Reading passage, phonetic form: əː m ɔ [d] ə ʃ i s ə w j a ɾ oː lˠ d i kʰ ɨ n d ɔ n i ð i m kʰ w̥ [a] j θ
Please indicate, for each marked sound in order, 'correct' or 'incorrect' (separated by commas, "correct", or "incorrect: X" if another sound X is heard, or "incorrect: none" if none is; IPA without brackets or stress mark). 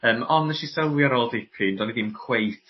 incorrect: n, incorrect: e